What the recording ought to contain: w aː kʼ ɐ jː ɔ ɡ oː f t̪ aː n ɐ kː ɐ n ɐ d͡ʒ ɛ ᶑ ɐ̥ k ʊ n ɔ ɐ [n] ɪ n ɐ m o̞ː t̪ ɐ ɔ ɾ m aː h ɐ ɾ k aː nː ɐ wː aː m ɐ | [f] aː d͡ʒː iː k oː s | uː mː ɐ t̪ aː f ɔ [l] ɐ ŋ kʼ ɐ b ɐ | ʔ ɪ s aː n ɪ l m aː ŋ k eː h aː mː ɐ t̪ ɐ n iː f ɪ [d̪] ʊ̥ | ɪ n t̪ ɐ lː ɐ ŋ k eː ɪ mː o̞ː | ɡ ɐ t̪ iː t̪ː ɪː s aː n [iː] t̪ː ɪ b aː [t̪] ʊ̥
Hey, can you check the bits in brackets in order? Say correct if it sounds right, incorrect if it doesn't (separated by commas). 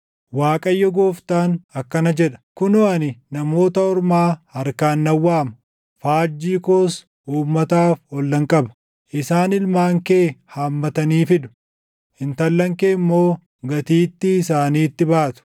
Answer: correct, correct, incorrect, correct, correct, correct